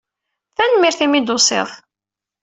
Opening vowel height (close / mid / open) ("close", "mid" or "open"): open